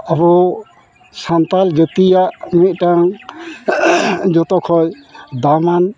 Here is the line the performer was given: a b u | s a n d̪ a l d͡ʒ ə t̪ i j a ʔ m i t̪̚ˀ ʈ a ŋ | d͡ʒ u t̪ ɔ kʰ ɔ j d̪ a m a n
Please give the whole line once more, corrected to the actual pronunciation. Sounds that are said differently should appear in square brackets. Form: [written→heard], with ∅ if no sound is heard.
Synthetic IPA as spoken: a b [u→ɔ] | s a n [d̪→t̪] a l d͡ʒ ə t̪ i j a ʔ m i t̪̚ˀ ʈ a ŋ | d͡ʒ [u→ɔ] t̪ ɔ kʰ ɔ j d̪ a m a n